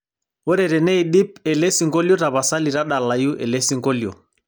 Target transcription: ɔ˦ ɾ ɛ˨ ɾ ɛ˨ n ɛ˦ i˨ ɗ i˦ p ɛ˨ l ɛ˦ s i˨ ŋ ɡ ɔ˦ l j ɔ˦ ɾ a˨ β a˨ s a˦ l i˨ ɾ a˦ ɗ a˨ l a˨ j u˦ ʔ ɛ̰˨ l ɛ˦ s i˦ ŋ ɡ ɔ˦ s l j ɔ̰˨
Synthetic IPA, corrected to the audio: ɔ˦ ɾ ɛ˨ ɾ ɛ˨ n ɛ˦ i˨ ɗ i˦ p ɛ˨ l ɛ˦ s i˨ ŋ ɡ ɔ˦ l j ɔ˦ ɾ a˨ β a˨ s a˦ l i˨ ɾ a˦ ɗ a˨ l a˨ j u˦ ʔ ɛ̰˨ l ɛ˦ s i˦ ŋ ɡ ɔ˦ l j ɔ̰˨